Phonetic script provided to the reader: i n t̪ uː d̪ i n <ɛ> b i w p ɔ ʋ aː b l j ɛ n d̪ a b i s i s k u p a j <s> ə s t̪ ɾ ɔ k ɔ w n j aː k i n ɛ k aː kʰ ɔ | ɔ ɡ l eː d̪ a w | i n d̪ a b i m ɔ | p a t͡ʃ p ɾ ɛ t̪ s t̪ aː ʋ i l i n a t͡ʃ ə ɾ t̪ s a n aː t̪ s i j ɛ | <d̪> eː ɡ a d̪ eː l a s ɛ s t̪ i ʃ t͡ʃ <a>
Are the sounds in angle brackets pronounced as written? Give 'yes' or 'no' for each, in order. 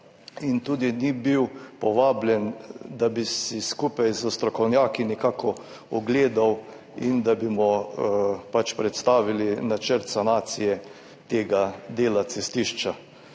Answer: no, no, no, yes

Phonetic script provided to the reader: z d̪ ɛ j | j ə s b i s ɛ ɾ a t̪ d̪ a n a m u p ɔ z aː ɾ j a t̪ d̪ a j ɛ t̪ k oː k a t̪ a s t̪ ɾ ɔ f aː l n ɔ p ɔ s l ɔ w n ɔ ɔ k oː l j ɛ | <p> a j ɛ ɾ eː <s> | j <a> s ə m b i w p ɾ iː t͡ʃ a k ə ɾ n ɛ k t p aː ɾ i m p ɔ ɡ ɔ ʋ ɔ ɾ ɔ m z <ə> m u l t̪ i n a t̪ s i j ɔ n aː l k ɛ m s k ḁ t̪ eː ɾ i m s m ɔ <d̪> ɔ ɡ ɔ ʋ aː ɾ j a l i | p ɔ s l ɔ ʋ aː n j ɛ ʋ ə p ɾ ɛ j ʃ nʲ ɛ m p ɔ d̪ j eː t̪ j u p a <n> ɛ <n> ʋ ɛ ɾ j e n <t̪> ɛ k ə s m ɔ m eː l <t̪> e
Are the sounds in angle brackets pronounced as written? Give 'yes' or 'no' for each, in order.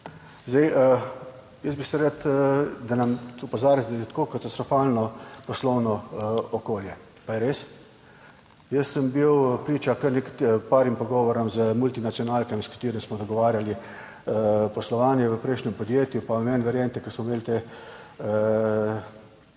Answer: yes, yes, no, yes, yes, no, yes, yes, yes

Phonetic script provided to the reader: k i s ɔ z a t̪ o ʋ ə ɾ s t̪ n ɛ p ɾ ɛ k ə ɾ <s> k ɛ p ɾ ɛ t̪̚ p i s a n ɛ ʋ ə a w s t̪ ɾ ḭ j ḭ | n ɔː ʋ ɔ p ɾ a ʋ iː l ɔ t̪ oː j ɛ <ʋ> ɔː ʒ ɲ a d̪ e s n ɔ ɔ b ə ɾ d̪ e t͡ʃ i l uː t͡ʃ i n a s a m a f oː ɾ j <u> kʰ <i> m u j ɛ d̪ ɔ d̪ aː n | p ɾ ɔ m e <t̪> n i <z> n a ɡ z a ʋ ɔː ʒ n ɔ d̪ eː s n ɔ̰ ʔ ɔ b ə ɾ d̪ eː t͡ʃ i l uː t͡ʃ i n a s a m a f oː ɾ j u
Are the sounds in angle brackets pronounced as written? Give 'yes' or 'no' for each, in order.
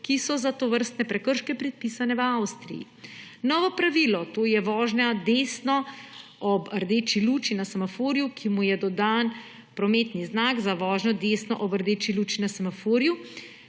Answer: no, yes, yes, yes, yes, yes

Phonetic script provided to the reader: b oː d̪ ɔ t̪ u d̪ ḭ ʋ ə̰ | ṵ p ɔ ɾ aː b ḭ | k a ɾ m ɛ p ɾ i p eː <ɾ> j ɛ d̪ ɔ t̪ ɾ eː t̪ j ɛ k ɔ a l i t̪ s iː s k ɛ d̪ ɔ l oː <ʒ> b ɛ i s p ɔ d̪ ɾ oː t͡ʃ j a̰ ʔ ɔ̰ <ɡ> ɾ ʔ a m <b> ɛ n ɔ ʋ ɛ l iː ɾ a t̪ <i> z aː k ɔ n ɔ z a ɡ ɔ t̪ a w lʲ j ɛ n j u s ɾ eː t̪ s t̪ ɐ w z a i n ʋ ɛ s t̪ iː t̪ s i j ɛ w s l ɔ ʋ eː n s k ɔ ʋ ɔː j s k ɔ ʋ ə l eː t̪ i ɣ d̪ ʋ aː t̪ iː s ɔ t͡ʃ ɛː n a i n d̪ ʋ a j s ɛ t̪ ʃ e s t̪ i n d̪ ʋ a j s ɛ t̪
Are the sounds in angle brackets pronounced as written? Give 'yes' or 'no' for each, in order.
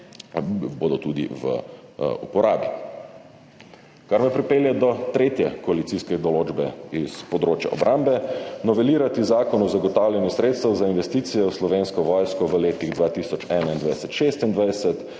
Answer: no, no, no, yes, yes

